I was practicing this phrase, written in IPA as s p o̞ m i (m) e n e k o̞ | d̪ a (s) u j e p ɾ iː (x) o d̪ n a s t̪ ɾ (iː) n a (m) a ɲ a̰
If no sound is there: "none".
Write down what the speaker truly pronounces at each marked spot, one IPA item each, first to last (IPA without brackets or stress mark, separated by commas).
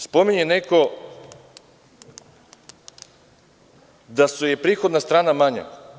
ɲ, s, x, aː, m